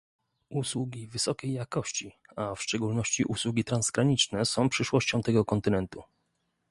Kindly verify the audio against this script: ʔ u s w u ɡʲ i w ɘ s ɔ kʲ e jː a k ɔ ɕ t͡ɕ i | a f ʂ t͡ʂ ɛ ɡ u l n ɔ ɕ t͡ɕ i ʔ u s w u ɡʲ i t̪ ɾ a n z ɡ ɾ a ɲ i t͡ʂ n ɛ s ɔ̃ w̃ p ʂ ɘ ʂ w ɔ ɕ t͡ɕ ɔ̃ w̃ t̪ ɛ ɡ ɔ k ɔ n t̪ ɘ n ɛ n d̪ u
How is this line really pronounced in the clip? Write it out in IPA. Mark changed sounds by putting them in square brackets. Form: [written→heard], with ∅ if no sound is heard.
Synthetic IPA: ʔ u s w u ɡʲ i [w→v] ɘ s ɔ kʲ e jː a k ɔ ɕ t͡ɕ i | a f ʂ t͡ʂ ɛ ɡ u l n ɔ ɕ t͡ɕ i ʔ u s w u ɡʲ i t̪ ɾ a n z ɡ ɾ a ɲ i t͡ʂ n ɛ s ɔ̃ w̃ p ʂ ɘ ʂ w ɔ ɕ t͡ɕ ɔ̃ w̃ t̪ ɛ ɡ ɔ k ɔ n t̪ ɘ n ɛ n [d̪→t̪] u